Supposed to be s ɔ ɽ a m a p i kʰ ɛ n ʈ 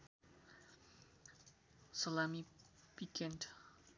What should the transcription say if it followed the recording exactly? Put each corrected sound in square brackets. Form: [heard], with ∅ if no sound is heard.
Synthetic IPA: s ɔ [l] a m [i] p i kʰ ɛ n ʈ

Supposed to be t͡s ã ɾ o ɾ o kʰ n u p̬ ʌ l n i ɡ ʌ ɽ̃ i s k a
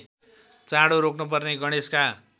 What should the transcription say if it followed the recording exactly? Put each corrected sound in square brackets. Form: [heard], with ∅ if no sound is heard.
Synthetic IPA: t͡s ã [ɽ] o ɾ o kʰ n u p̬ ʌ [r] n [e] ɡ ʌ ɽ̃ [e] s k a

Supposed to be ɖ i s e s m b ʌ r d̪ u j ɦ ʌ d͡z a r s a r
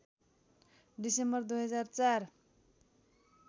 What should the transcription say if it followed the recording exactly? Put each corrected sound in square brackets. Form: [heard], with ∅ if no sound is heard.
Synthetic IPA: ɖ i s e [∅] m b ʌ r d̪ u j ɦ ʌ d͡z a r [t͡s] a r

